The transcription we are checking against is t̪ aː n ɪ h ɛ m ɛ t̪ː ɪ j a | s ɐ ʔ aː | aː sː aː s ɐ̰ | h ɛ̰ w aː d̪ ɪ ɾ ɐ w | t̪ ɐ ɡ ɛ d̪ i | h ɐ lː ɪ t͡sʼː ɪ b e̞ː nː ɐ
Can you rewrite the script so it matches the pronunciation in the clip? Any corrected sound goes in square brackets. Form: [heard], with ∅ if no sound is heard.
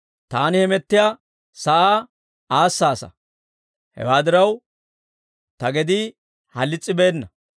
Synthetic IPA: t̪ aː n ɪ h ɛ m ɛ t̪ː ɪ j a | s ɐ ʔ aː | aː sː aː s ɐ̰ | h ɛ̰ w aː d̪ ɪ ɾ ɐ w | t̪ ɐ ɡ ɛ d̪ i | h ɐ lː ɪ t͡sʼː ɪ b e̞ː nː ɐ